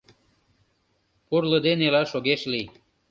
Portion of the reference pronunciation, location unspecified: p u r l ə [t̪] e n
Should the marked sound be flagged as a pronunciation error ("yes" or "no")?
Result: yes